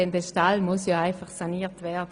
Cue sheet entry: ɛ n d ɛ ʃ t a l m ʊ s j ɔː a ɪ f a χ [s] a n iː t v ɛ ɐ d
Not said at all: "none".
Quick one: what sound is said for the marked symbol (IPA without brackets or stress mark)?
s